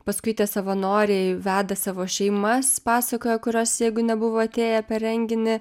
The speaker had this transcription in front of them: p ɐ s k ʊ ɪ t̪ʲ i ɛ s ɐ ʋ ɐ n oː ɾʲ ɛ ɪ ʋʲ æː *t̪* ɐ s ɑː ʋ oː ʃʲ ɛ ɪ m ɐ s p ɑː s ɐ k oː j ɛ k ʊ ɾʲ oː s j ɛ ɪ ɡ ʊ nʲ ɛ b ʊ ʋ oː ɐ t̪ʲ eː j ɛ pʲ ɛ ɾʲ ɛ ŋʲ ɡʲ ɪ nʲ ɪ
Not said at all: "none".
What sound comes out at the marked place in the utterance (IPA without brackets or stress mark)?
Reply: d̪